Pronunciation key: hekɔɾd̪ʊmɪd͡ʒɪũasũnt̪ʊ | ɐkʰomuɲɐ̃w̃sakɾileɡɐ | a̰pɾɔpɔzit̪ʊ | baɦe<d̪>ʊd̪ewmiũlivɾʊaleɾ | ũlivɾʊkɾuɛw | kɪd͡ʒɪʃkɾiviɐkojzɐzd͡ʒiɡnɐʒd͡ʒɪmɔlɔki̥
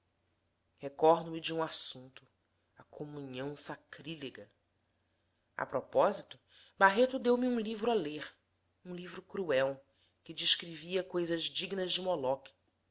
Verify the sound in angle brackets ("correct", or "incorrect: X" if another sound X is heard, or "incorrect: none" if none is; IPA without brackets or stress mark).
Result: incorrect: t̪